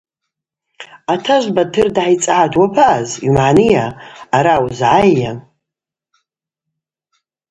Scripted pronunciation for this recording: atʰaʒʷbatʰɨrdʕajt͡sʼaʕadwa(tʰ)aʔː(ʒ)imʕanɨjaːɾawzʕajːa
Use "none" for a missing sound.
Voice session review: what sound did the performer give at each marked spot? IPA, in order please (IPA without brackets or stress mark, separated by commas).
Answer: pʰ, z